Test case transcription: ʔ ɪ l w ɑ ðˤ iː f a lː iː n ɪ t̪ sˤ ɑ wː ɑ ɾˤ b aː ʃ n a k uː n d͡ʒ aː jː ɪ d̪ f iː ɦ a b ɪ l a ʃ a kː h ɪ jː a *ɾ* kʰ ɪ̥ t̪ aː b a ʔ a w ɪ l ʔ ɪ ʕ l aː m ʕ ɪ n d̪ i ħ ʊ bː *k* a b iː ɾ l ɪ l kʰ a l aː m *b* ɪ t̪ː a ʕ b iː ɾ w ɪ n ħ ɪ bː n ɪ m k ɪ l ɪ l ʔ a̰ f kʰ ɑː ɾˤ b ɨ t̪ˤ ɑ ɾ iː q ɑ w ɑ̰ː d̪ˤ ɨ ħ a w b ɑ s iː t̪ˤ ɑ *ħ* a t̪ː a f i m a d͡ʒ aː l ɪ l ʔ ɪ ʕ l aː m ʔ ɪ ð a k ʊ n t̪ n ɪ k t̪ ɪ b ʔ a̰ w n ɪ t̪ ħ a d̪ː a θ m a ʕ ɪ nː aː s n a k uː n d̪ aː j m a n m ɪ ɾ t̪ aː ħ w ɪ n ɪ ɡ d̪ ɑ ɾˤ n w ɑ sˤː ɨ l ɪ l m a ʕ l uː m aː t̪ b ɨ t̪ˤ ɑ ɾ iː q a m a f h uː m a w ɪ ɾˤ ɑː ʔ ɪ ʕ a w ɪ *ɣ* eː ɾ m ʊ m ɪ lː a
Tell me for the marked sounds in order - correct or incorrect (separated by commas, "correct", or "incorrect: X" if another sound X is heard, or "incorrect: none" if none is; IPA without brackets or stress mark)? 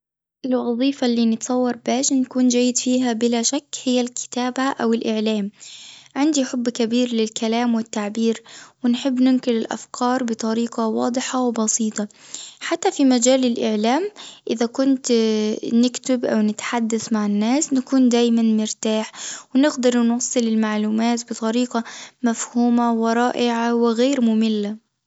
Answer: incorrect: l, correct, incorrect: w, correct, correct